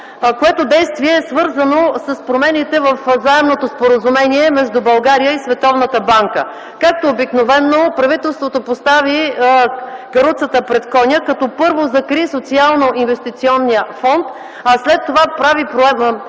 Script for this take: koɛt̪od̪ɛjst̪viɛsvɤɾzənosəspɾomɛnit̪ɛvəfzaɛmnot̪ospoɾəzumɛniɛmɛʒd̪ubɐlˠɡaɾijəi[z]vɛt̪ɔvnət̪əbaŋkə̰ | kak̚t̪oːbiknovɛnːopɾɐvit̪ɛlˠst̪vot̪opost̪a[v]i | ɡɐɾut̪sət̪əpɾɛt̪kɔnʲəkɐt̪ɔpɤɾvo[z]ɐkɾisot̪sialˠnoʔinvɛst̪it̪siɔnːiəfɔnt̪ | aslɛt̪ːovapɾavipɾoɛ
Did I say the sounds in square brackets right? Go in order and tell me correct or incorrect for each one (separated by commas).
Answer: incorrect, correct, correct